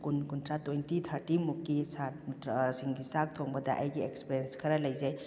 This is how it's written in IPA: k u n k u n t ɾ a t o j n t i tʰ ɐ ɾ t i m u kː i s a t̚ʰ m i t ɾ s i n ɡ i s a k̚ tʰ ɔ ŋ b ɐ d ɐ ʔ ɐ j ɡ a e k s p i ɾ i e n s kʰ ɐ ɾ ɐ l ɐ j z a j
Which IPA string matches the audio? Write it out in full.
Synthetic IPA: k u n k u n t ɾ a t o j n t i tʰ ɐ ɾ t i m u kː i s a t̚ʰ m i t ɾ s i ŋ ɡ i s a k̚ tʰ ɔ ŋ b ɐ d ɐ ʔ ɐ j ɡ i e k s p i ɾ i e n s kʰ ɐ ɾ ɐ l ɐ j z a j